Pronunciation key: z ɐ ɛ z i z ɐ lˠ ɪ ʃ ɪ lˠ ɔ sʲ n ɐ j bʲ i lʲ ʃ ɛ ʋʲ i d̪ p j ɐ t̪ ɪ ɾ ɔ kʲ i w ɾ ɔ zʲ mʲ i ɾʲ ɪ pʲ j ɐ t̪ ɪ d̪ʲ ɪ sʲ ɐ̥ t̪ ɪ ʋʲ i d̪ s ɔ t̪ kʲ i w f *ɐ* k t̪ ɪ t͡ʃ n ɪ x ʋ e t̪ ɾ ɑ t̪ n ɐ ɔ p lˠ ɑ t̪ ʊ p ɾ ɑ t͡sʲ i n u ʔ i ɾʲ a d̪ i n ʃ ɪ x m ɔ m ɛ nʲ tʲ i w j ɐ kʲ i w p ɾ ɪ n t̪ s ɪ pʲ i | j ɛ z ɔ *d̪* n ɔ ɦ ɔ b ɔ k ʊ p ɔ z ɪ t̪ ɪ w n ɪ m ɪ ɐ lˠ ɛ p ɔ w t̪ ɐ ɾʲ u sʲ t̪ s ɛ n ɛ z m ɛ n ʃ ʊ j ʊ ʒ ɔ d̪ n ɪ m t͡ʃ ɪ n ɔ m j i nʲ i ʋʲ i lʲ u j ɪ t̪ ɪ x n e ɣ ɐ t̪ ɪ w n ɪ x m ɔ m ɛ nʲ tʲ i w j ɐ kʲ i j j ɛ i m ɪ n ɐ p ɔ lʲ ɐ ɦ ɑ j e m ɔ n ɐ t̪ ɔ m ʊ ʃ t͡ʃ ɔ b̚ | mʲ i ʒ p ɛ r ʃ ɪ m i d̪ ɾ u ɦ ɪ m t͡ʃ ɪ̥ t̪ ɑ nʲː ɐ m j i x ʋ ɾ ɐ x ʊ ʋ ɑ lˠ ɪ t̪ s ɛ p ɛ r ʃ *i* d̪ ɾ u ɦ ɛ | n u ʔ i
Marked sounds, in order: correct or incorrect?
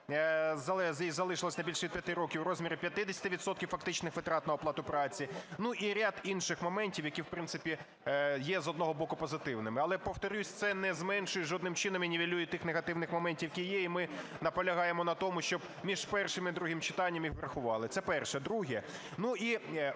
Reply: correct, correct, incorrect: ɛ

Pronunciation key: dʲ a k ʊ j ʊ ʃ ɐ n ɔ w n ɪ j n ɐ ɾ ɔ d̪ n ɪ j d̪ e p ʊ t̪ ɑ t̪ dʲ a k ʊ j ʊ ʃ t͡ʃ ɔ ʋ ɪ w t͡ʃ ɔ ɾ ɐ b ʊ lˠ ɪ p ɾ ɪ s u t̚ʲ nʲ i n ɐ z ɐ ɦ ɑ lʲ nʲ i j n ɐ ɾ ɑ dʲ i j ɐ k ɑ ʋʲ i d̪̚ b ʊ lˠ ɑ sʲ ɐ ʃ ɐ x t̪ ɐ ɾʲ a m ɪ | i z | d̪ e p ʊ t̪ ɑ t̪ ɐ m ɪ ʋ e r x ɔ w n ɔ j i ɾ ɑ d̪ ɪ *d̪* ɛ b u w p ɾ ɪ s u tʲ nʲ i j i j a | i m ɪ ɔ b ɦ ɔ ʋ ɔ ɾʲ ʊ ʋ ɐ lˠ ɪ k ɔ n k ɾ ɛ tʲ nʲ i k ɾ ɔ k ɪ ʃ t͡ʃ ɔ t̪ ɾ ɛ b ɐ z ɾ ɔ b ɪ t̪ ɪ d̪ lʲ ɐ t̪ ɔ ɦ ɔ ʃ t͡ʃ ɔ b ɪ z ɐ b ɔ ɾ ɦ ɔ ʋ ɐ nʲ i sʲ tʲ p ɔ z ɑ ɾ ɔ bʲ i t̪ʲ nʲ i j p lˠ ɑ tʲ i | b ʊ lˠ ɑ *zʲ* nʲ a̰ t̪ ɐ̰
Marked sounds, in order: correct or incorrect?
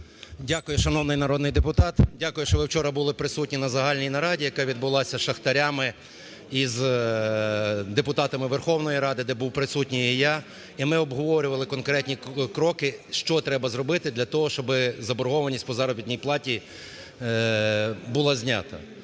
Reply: correct, correct

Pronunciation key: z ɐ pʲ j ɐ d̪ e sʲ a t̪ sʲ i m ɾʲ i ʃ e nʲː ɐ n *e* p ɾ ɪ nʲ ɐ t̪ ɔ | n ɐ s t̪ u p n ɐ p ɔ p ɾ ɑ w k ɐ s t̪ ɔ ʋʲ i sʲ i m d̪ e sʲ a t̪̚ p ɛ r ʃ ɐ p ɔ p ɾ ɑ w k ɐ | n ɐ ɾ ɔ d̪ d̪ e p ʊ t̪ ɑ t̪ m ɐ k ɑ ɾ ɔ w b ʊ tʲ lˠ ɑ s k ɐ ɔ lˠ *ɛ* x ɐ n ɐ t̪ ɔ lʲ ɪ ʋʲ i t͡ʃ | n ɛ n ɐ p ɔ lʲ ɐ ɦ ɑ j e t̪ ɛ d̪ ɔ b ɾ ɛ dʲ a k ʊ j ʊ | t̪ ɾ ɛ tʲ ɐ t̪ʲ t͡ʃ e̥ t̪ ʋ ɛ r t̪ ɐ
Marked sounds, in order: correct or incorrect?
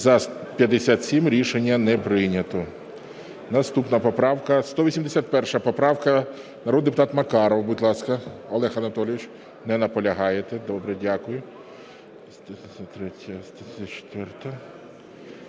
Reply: incorrect: ɛ, correct

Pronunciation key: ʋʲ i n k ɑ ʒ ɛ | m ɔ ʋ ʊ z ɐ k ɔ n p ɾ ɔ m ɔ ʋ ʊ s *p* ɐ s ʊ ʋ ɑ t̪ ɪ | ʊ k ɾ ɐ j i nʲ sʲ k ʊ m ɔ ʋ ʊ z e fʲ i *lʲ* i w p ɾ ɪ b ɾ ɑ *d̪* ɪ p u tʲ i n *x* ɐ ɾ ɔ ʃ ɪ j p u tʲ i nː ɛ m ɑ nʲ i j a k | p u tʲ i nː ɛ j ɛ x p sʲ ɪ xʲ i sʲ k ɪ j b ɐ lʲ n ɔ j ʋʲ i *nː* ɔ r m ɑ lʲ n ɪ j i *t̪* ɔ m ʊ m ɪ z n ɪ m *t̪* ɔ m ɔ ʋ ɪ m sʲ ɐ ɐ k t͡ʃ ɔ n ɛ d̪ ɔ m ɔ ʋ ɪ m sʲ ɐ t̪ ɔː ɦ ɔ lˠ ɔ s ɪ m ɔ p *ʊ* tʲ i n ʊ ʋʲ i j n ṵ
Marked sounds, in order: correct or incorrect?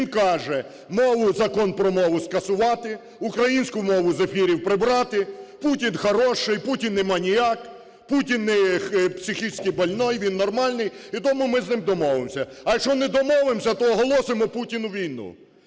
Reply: incorrect: k, incorrect: ɾʲ, incorrect: t̪, correct, correct, correct, incorrect: d̪, incorrect: u

